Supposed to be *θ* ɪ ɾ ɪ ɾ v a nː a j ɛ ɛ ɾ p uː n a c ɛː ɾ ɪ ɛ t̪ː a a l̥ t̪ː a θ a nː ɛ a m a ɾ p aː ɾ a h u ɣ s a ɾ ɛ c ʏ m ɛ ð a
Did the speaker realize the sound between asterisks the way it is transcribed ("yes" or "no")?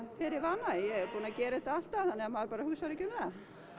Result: no